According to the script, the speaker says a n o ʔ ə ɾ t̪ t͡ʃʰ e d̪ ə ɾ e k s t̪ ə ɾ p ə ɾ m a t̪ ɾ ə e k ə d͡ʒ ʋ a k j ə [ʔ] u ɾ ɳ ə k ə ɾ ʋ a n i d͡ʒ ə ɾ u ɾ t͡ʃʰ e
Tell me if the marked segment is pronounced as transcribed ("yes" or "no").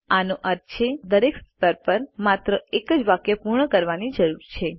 no